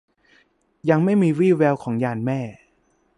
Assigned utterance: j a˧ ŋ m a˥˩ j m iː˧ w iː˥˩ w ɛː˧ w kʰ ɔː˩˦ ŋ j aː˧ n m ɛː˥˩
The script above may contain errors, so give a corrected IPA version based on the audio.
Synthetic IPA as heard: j a˧ ŋ m a˥˩ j m iː˧ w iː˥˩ w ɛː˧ w kʰ ɔː˩˦ ŋ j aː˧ n m ɛː˥˩